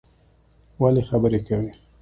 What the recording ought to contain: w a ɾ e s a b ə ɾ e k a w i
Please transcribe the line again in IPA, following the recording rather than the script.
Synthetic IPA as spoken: w a l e x a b ə ɾ e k a w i

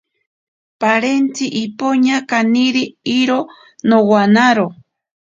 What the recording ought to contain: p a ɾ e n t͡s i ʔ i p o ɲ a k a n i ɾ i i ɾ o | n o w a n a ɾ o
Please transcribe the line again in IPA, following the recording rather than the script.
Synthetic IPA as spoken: p a ɾ e n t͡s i ʔ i p o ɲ a k a n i ɾ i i ɾ o | n o w a n a ɾ o

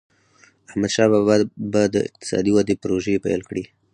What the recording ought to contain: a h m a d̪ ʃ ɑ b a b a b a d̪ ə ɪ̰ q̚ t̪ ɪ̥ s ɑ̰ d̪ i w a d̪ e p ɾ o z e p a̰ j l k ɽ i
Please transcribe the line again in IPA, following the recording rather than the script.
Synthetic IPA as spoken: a h m a d̪ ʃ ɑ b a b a b a d̪ ə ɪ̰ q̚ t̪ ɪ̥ s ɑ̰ d̪ i w a d̪ e p ɾ o ʒ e p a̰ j l k ɽ i

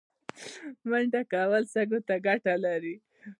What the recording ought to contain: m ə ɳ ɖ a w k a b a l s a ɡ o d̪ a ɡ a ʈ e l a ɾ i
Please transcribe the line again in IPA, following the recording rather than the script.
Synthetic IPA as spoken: m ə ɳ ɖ a k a w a l s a ɡ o t̪ a ɡ a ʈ a l a ɾ i

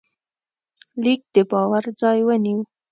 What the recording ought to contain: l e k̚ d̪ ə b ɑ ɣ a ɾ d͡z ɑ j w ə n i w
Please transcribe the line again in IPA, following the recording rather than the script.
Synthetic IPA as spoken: l i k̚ d̪ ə b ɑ w a ɾ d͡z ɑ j w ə n i w

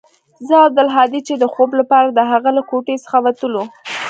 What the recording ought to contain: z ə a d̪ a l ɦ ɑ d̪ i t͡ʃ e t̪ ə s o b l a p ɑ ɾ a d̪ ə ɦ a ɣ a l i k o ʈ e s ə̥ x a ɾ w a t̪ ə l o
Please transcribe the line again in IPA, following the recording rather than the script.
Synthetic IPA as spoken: z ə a d̪ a l ɦ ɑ d̪ i t͡ʃ e d̪ ə x o b l a p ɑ ɾ a d̪ ə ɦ a ɣ a l a k o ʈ e s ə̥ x a w a t̪ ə l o

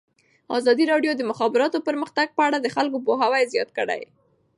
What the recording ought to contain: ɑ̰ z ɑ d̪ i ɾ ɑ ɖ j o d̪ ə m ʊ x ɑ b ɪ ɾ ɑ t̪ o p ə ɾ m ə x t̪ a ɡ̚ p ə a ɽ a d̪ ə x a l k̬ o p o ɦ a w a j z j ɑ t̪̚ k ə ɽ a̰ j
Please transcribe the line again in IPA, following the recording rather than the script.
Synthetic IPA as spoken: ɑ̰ z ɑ d̪ i ɾ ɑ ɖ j o d̪ ə m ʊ x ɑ b ɪ ɾ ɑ t̪ o p ə ɾ m ə x t̪ a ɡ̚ p ə a ɽ a d̪ ə x a l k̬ o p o ɦ a w a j z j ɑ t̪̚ k ə ɽ a̰ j

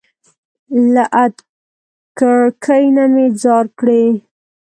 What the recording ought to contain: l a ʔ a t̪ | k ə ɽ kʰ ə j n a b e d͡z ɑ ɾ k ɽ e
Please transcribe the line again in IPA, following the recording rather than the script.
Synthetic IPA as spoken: l a ʔ a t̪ | k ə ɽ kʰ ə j n a m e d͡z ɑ ɾ k ɽ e

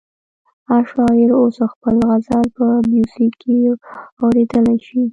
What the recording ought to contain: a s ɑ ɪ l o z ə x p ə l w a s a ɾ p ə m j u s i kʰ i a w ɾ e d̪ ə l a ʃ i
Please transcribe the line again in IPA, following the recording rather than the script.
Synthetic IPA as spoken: a ʃ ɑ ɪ ɾ o s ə x p ə l ɣ a z a l p ə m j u s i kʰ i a w ɾ e d̪ ə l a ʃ i

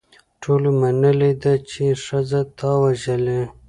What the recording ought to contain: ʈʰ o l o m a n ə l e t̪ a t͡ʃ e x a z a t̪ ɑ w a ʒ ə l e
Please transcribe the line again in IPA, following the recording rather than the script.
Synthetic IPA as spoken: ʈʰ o l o m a n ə l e d̪ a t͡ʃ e ʂ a z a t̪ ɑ w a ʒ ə l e

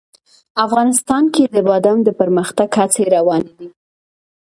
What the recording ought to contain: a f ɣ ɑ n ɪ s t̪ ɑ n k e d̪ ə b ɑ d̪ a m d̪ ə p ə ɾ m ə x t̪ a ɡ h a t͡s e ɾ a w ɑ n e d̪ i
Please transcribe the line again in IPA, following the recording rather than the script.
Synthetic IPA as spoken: a f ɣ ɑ n ɪ s t̪ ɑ n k e d̪ ə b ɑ d̪ a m d̪ ə p ə ɾ m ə x t̪ a ɡ h a t͡s e ɾ a w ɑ n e d̪ i

